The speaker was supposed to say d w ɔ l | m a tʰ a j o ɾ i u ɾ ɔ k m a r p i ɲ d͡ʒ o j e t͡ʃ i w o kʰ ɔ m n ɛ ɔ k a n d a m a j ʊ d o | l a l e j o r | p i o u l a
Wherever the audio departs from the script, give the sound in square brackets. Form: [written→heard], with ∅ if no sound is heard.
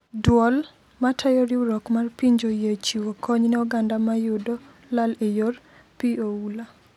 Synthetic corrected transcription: d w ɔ l | m a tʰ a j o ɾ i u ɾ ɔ k m a r p i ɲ d͡ʒ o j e t͡ʃ i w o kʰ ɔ [m→ɲ] n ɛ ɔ [k→ɡ] a n d a m a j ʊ d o | l a l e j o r | p i o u l a